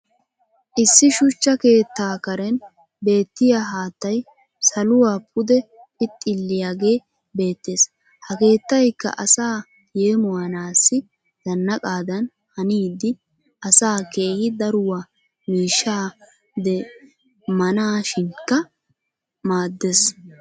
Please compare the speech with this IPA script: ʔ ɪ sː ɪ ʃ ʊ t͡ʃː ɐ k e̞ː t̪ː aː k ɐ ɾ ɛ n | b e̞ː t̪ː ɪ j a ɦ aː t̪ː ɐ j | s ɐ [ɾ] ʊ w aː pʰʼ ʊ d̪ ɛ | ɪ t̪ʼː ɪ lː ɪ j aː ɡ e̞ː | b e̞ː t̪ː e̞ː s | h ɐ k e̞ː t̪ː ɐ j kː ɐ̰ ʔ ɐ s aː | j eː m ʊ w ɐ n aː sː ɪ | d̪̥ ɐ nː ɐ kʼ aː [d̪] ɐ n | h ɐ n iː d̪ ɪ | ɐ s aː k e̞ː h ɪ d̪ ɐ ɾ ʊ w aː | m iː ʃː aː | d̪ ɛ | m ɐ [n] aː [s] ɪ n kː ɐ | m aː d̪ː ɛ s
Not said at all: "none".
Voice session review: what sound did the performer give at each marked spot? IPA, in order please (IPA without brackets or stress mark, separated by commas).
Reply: l, d̪, n, ʃ